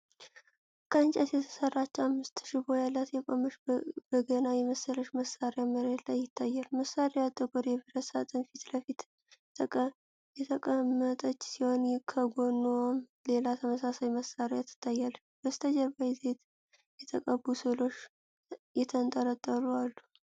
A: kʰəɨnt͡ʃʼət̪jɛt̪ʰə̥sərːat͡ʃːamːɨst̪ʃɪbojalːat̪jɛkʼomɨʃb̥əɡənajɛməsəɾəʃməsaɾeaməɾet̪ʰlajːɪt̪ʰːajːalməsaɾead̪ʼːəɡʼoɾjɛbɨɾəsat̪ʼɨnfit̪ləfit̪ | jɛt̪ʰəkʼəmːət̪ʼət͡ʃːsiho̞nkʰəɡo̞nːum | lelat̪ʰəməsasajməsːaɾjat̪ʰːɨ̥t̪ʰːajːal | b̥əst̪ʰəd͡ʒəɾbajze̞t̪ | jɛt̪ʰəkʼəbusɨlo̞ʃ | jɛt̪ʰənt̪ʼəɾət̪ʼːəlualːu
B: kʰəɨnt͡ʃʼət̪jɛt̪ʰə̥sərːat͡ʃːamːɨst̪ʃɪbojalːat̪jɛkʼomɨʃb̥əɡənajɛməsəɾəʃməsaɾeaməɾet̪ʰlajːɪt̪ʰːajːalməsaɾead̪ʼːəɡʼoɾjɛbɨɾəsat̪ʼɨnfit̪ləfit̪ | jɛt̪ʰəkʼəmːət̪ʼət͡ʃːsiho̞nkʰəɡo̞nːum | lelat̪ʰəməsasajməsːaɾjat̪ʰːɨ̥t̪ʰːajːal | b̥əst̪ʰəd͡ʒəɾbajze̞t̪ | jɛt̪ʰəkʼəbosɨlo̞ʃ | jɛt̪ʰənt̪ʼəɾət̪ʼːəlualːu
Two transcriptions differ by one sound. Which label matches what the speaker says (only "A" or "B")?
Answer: A